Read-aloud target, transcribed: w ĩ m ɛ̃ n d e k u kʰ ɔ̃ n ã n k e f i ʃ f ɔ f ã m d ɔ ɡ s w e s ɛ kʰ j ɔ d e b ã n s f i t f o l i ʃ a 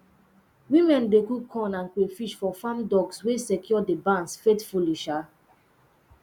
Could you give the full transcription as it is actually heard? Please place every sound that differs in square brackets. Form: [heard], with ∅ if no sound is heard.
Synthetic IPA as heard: w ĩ m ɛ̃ n d e k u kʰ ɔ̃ n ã n k e f i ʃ f ɔ f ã m d ɔ ɡ s w e s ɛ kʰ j ɔ d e b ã n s f [e] t f [u] l i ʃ a